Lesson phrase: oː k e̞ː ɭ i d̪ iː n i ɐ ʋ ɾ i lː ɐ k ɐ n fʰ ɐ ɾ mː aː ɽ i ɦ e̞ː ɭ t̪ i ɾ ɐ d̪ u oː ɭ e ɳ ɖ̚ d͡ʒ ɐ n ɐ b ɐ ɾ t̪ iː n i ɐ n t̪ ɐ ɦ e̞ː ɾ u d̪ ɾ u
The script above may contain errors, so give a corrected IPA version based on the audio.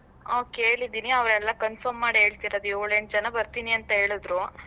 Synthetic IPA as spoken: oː k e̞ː ɭ i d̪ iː n i ɐ ʋ ɾ ɛ lː ɐ k ɐ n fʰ ɐ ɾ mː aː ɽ i ɦ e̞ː ɭ t̪ i ɾ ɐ d̪ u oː ɭ e ɳ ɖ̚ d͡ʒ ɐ n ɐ b ɐ ɾ t̪ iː n i ɐ n t̪ ɐ ɦ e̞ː ɭ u d̪ ɾ u